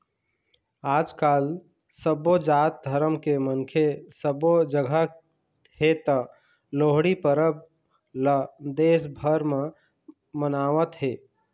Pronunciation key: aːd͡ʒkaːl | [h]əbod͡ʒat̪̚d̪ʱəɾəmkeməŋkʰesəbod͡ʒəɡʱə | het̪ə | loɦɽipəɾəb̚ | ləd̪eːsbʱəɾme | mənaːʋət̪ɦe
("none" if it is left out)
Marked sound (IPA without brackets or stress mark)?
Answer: s